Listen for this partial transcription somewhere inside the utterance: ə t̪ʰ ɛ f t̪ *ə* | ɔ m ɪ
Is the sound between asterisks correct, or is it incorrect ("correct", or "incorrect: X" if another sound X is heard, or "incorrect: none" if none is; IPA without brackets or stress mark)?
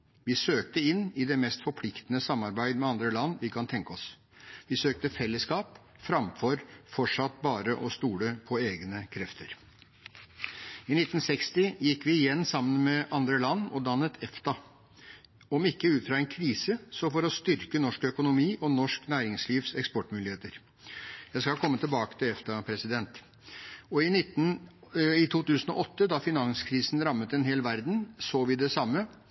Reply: incorrect: ɑ